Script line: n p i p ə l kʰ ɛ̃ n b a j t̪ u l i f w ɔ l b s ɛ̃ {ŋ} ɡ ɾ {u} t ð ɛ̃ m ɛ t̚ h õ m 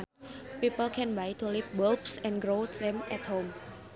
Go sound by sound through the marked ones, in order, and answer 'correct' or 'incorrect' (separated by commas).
incorrect, incorrect